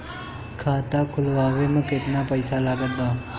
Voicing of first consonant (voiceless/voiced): voiceless